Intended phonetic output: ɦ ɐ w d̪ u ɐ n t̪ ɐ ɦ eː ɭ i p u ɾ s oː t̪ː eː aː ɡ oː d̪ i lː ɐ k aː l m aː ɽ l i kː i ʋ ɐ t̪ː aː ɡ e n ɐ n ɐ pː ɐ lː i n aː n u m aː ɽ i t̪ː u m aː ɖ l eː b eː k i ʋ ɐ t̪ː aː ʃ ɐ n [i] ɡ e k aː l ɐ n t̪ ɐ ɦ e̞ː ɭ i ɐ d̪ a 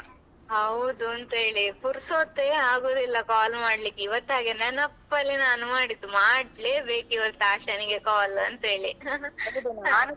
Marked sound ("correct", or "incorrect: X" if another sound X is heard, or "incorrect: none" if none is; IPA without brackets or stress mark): correct